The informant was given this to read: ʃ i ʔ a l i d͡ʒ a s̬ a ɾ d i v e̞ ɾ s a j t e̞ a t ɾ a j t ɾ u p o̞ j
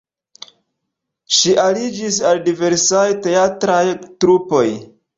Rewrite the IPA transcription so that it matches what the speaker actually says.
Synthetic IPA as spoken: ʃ i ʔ a l i d͡ʒ i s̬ a l d i v e̞ ɾ s a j t e̞ a t ɾ a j t ɾ u p o̞ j